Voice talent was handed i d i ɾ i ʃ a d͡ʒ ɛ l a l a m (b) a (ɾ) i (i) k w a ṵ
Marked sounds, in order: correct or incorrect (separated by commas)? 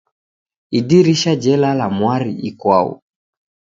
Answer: incorrect, correct, correct